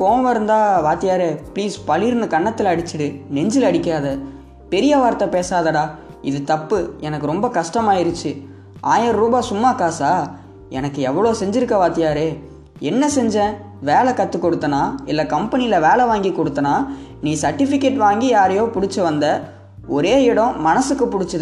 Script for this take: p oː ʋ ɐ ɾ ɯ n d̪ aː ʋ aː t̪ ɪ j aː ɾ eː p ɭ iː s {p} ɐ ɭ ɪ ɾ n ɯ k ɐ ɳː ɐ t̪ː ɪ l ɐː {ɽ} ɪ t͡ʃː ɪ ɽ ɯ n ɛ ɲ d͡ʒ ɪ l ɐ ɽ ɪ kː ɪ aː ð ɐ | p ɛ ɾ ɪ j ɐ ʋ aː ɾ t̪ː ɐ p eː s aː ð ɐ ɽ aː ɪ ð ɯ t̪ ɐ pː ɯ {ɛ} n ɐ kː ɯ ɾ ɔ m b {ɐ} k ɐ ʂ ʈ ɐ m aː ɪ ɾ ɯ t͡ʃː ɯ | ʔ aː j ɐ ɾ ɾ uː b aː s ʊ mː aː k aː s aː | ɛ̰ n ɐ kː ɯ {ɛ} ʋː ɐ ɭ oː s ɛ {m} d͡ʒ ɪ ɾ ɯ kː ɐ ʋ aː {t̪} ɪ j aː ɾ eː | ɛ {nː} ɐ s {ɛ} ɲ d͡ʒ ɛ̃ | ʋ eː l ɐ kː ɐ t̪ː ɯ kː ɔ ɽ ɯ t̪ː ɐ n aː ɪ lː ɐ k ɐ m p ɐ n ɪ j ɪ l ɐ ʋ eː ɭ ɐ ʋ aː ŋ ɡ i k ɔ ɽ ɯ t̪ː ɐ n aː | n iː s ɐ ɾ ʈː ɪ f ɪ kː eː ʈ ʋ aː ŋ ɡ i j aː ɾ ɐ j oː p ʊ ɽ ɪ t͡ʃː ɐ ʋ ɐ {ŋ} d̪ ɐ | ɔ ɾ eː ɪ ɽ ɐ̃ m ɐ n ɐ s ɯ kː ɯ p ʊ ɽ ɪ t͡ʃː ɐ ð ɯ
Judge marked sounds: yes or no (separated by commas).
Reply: yes, yes, yes, yes, yes, no, yes, yes, yes, no